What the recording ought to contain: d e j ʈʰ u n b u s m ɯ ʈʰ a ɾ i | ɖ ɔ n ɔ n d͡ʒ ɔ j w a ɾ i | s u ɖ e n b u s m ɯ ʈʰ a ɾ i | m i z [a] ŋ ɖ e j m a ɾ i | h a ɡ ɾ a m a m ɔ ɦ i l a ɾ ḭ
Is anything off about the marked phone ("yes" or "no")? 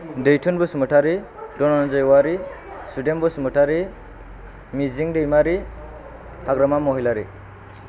yes